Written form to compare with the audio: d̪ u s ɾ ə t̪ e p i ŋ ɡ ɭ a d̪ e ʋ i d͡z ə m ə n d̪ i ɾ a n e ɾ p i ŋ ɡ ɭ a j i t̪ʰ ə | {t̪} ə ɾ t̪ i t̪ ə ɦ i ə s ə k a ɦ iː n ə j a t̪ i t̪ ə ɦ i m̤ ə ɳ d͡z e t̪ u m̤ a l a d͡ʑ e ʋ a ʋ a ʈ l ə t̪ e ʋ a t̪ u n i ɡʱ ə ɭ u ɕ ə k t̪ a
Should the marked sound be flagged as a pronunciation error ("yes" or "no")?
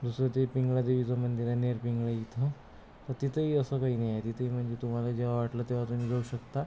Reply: no